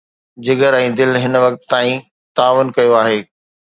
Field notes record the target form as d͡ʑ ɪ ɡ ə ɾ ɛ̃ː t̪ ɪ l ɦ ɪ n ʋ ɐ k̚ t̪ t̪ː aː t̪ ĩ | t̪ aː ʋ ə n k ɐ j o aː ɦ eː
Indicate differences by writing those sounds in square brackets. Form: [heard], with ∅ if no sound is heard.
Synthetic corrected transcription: d͡ʑ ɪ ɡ ə ɾ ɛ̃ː [d̪] ɪ l ɦ ɪ n ʋ ɐ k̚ t̪ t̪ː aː [∅] ĩ | t̪ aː ʋ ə n k ɐ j o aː ɦ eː